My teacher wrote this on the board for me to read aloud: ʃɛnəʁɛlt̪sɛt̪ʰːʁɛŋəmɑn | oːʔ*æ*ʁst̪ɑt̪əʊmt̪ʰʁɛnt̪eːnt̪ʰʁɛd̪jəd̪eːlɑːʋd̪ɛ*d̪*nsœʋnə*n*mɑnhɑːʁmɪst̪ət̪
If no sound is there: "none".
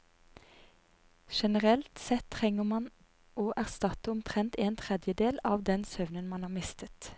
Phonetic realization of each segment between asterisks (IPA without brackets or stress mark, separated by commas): æ, none, n